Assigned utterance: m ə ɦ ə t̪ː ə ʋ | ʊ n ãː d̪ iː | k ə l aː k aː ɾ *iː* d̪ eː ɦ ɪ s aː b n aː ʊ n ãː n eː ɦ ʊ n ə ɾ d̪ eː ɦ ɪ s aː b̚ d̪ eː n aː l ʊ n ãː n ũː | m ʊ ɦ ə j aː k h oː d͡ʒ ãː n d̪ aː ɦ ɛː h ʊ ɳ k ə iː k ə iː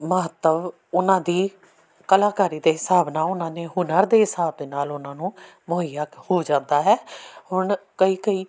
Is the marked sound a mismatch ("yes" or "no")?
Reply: no